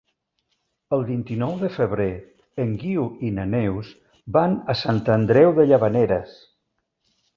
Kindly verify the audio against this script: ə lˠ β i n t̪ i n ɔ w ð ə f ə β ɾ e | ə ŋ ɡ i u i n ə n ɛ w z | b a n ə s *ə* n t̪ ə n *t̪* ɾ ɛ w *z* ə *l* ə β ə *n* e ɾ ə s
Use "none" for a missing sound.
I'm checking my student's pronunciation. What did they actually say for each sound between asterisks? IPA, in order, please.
a, d̪, ð, ʎ, n

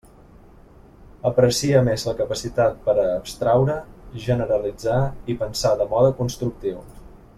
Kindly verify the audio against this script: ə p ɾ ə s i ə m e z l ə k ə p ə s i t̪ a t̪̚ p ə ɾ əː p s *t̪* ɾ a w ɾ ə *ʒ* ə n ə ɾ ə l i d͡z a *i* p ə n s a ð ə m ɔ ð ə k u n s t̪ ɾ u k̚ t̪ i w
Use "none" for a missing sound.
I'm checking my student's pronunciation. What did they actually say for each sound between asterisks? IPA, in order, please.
t̪, ʒ, i

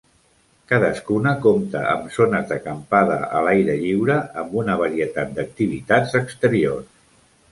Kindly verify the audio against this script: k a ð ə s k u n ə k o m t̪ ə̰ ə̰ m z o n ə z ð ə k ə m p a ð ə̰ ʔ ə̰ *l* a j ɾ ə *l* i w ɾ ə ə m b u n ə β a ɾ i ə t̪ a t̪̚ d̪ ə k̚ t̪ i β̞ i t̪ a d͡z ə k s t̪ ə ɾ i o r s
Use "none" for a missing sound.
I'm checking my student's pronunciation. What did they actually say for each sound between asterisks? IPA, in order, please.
l, ʎ

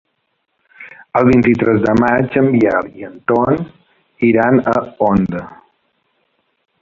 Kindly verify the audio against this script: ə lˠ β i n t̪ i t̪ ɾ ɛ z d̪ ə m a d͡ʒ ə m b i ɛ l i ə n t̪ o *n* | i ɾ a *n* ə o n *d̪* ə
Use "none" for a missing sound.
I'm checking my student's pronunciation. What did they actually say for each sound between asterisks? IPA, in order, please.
n, n, d̪

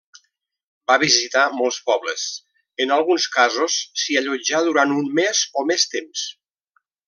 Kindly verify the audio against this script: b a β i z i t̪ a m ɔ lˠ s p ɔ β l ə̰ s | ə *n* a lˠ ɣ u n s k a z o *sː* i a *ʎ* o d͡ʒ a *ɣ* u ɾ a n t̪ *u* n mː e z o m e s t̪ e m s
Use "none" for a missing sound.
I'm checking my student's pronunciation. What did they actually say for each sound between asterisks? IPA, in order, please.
n, sː, ʎ, ð, u

